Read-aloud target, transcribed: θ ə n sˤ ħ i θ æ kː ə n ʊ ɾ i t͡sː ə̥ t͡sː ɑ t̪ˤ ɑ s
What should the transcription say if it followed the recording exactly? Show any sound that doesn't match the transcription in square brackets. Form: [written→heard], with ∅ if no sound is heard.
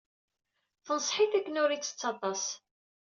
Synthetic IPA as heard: θ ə n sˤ ħ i θ æ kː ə n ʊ ɾ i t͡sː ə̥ t͡sː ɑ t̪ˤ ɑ s